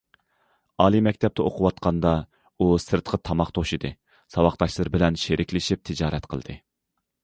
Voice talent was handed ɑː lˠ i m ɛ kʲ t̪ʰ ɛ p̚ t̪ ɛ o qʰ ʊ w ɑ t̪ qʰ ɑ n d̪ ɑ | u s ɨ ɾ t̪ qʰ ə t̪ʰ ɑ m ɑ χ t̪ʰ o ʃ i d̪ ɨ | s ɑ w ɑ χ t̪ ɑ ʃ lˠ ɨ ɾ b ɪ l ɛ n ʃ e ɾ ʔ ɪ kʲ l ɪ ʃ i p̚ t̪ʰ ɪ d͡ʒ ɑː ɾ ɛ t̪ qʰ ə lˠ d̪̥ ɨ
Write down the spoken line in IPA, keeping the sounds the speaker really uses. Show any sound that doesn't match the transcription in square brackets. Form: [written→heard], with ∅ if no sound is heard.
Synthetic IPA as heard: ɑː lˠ i m ɛ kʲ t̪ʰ ɛ p̚ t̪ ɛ o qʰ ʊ w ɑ t̪ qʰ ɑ n d̪ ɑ | u s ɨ ɾ t̪ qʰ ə t̪ʰ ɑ m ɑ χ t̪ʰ o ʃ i d̪ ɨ | s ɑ w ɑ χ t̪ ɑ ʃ lˠ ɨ ɾ b ɪ l ɛ n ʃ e ɾ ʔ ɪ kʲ l ɪ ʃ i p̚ t̪ʰ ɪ d͡ʒ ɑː ɾ ɛ t̪ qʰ ə lˠ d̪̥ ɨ